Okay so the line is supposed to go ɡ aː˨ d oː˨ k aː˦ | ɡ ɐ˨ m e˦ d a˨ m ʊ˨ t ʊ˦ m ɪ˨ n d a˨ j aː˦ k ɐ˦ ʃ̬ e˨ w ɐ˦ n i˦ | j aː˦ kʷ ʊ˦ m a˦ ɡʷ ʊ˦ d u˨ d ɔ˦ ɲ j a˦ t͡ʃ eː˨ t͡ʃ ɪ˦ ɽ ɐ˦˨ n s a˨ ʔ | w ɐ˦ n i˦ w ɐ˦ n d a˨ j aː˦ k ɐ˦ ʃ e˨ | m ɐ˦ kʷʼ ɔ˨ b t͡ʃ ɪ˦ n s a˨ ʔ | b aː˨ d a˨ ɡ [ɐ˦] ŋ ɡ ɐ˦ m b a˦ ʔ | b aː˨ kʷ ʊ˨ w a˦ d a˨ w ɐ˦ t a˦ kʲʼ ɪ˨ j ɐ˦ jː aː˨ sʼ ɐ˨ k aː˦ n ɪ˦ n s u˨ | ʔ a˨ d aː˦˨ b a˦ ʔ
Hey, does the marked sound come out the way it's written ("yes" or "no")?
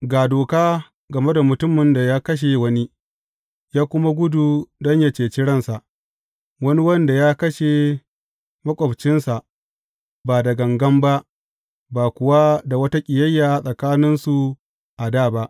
no